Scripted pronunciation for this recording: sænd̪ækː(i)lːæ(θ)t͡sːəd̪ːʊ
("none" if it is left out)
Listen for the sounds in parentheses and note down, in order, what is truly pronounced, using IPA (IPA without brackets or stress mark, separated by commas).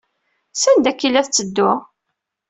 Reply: i, θ